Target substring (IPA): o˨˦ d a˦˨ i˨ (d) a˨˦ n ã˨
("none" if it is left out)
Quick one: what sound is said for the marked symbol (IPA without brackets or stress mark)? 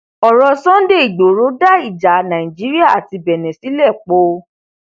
d͡ʒ